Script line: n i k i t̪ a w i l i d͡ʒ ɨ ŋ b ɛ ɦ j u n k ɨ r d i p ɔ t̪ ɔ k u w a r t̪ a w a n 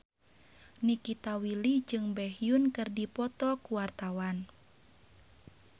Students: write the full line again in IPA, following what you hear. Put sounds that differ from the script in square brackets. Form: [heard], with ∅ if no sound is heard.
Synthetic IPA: n i k i t̪ a w i l i d͡ʒ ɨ ŋ b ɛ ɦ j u n k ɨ r d i p ɔ t̪ ɔ k u w a r t̪ a w a n